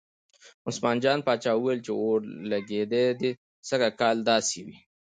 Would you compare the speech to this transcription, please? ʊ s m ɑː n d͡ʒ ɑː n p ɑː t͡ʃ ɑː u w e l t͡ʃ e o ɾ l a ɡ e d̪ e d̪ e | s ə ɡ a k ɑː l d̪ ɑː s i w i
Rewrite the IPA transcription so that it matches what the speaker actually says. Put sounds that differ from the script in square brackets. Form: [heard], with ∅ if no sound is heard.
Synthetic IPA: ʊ s m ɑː n d͡ʒ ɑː n p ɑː t͡ʃ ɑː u w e l t͡ʃ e o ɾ l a ɡ e d̪ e d̪ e | s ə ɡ a k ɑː l d̪ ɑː s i w i